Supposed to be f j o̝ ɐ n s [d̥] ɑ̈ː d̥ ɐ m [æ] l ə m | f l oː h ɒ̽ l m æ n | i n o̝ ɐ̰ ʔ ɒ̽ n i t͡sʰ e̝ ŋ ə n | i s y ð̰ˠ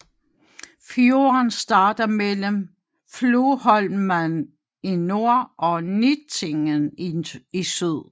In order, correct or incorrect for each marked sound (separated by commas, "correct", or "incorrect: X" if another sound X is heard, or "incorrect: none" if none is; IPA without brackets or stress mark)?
correct, incorrect: e